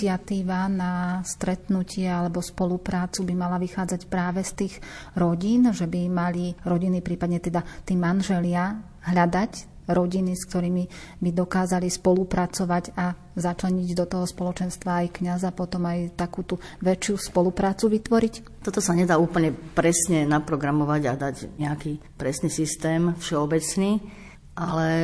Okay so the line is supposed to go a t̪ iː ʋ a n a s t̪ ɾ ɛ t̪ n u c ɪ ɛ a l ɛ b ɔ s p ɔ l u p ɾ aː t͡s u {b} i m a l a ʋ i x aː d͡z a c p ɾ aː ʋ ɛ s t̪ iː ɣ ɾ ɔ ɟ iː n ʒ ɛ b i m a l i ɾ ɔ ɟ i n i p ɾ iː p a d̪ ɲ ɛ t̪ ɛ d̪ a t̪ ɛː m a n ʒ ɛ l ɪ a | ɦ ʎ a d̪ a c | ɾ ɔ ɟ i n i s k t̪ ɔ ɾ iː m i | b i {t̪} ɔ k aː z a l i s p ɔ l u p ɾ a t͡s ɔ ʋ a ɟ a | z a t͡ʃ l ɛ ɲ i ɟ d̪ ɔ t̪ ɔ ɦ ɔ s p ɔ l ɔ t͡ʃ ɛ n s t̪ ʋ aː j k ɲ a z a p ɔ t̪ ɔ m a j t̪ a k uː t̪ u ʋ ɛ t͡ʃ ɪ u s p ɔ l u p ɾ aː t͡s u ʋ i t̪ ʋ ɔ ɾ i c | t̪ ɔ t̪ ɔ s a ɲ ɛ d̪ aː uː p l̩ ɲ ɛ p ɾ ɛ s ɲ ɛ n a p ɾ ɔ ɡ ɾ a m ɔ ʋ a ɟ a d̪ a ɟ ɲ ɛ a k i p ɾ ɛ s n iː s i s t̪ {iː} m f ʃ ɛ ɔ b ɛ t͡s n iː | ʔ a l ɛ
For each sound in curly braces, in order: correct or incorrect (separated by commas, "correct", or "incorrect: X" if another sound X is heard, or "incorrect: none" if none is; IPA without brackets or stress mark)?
correct, incorrect: d̪, incorrect: ɛː